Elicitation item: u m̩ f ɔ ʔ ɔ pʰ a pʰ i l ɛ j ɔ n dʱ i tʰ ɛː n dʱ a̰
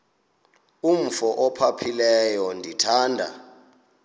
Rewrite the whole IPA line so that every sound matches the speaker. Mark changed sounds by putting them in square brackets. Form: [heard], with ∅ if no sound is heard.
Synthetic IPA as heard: u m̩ f ɔ ʔ ɔ pʰ a pʰ i l ɛ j ɔ n dʱ i tʰ [aː] n dʱ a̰